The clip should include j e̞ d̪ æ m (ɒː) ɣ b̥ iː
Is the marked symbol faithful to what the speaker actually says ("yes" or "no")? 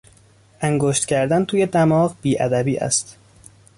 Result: yes